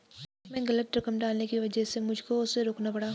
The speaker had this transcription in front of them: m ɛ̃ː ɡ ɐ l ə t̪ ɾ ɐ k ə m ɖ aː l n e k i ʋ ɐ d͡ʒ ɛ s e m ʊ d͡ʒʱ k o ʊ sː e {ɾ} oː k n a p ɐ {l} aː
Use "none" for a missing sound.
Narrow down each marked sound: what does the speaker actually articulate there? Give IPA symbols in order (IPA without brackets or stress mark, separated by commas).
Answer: ɾ, ɽ